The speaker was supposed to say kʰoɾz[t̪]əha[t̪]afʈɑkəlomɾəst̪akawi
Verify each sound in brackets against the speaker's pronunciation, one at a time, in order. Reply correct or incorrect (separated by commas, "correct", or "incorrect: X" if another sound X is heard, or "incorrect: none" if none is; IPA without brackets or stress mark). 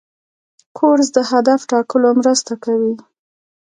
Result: incorrect: d̪, incorrect: d̪